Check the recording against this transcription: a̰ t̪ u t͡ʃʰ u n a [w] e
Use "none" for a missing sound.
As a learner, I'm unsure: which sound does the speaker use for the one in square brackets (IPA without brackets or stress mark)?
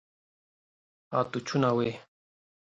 w